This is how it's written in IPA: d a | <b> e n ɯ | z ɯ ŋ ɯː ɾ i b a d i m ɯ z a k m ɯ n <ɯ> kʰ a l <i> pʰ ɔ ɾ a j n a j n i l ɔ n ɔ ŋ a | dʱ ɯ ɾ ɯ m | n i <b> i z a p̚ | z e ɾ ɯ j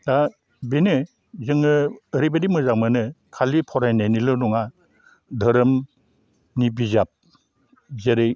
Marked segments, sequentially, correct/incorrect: correct, correct, correct, correct

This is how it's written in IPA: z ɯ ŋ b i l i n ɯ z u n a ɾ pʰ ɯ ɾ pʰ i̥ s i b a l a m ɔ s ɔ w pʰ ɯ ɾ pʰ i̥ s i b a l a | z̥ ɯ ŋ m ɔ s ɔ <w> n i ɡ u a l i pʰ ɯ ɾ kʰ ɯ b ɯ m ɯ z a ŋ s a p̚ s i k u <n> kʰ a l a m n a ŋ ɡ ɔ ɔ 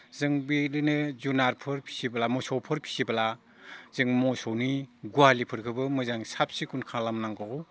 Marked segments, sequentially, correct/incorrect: correct, correct

